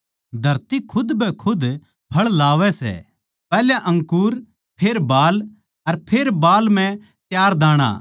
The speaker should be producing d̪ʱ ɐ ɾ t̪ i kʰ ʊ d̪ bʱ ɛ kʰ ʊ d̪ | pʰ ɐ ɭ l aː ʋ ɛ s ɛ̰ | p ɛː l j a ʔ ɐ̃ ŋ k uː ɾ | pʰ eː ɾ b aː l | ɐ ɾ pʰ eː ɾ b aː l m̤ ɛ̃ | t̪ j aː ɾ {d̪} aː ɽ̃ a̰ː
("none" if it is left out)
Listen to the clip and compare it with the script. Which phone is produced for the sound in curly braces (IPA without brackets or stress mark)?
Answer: d̪